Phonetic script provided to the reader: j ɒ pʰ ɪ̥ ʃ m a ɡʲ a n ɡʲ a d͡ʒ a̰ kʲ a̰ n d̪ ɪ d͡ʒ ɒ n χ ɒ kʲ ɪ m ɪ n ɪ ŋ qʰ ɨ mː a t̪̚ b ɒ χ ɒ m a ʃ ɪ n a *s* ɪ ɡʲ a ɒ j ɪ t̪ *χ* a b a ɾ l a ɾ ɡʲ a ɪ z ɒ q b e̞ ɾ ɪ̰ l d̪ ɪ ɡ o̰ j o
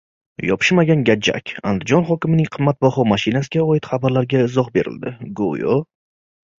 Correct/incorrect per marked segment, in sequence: correct, correct

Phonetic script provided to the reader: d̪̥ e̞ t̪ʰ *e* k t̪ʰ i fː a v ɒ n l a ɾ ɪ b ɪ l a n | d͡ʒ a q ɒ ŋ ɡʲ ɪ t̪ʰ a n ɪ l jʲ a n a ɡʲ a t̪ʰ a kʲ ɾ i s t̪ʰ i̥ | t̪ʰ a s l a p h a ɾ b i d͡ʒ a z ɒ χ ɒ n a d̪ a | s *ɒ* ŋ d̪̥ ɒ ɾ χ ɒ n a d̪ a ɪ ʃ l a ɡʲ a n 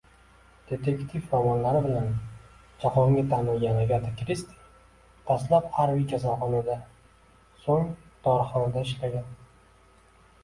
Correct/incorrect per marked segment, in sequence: correct, incorrect: o

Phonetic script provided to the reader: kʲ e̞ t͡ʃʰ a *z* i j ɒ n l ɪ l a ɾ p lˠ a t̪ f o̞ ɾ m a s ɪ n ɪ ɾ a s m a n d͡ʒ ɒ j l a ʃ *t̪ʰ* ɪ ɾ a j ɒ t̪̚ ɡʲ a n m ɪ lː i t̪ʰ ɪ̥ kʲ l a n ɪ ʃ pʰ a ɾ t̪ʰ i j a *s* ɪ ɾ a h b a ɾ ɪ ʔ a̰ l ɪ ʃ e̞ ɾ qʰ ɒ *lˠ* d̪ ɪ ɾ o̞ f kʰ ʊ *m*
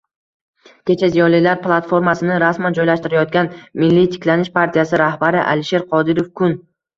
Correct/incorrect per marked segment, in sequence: correct, incorrect: t̪, correct, incorrect: none, incorrect: n

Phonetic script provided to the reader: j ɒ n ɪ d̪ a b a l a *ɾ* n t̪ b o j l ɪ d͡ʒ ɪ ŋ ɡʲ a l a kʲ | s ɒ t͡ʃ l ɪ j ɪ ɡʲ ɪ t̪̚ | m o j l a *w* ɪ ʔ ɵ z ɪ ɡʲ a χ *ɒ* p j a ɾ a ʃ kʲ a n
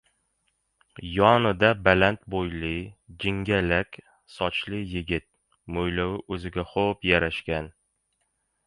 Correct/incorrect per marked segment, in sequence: incorrect: none, correct, incorrect: o

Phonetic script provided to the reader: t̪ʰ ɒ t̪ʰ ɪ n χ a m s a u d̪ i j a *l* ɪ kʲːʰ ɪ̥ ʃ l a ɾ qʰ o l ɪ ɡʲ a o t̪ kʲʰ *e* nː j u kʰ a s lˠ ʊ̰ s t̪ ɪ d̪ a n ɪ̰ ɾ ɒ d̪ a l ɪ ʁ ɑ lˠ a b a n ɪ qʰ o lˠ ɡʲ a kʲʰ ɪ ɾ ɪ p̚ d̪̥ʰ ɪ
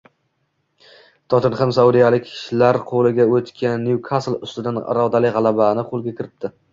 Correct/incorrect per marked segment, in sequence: correct, incorrect: a

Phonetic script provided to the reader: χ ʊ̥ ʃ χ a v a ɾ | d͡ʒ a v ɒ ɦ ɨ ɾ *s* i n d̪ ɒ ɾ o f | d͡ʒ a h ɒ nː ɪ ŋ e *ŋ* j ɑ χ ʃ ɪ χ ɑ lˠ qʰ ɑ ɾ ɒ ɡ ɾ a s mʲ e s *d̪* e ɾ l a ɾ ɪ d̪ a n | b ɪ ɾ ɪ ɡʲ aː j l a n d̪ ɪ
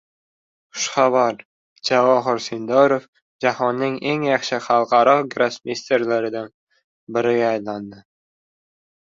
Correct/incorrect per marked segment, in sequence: correct, correct, incorrect: t̪

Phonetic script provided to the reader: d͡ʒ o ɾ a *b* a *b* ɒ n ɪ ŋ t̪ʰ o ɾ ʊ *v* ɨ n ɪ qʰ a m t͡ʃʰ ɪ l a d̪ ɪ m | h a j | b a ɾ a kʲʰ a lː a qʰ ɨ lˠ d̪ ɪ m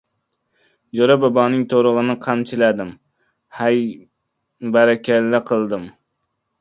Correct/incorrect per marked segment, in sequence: correct, correct, incorrect: ʁ

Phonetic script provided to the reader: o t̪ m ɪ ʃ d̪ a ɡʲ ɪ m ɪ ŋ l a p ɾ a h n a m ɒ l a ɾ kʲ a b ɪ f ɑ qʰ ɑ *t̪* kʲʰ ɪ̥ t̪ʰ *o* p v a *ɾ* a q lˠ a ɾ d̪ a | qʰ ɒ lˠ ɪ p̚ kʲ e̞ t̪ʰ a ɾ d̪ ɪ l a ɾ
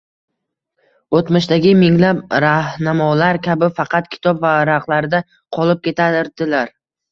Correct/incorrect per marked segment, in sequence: correct, incorrect: ɒ, correct

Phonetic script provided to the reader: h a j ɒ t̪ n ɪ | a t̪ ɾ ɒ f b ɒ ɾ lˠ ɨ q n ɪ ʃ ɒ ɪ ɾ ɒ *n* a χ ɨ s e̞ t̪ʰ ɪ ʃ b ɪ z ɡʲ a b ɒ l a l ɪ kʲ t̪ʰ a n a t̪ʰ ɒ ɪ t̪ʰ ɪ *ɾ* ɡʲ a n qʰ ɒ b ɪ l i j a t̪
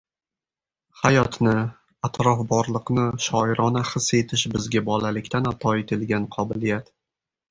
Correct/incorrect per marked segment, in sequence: correct, incorrect: l

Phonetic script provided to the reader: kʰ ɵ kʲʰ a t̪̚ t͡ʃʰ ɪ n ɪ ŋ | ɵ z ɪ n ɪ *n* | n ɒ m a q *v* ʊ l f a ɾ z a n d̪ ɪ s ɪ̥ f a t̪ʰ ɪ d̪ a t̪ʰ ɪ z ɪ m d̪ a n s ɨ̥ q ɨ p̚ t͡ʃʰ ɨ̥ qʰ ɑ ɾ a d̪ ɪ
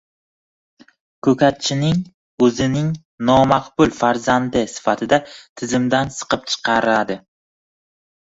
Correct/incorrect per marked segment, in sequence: incorrect: ŋ, incorrect: b

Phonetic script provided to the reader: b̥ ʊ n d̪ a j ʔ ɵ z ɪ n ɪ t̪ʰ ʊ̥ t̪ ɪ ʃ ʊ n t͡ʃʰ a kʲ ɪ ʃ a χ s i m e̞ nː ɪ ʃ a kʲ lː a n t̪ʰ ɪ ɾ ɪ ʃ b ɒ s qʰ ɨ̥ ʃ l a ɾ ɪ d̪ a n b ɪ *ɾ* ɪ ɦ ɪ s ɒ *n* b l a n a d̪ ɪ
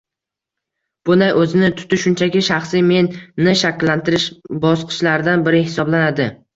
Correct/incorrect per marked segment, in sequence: correct, incorrect: none

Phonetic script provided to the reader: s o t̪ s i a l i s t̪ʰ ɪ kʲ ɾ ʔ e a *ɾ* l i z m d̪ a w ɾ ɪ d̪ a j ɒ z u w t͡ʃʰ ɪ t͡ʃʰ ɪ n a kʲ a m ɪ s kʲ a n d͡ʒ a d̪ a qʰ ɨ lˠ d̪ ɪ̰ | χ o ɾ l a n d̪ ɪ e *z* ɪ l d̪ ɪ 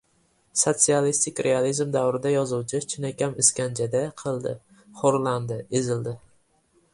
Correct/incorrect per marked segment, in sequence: incorrect: none, correct

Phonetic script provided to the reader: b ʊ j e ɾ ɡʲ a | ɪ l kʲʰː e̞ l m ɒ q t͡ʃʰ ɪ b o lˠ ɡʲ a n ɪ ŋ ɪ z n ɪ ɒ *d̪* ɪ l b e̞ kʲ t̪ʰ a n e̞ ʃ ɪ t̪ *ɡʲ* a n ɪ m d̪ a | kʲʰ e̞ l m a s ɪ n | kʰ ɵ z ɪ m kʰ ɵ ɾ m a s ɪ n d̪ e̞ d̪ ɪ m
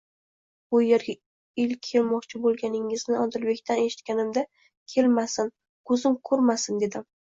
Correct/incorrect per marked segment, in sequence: correct, incorrect: kʲ

